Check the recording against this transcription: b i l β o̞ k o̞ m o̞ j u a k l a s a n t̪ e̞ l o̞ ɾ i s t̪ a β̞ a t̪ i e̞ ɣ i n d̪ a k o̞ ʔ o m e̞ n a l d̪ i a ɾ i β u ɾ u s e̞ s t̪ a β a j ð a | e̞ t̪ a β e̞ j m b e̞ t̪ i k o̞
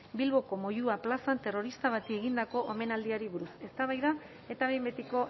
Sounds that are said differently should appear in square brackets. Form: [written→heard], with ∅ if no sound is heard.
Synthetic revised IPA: b i l β o̞ k o̞ m o̞ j u a [k→p] l a s a n t̪ e̞ [l→r] o̞ ɾ i s t̪ a β̞ a t̪ i e̞ ɣ i n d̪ a k o̞ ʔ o m e̞ n a l d̪ i a ɾ i β u ɾ u s e̞ s t̪ a β a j ð a | e̞ t̪ a β e̞ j m b e̞ t̪ i k o̞